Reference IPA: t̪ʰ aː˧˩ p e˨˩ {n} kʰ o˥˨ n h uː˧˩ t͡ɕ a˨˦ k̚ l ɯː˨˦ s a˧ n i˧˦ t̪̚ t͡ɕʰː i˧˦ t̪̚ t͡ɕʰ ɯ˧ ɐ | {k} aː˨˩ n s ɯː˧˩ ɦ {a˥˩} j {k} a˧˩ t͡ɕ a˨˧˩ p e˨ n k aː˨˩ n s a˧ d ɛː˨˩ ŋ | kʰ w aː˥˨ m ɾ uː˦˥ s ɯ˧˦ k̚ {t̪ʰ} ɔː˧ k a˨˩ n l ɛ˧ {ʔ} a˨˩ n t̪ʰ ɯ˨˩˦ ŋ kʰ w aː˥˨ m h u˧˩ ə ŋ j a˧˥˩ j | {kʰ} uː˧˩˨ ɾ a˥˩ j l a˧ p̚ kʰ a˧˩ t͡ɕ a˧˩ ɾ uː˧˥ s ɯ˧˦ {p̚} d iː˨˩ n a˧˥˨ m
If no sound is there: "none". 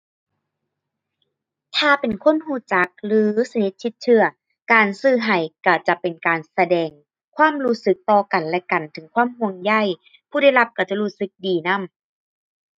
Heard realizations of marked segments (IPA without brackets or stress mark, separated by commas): n, k, a˨˩, k, t̪, k, pʰ, k̚